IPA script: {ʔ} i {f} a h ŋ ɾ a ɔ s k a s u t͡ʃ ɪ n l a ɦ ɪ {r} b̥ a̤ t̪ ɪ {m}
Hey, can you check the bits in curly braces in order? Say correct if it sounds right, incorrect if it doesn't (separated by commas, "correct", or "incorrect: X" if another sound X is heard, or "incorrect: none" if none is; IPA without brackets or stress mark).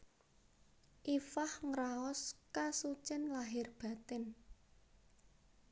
correct, correct, correct, incorrect: n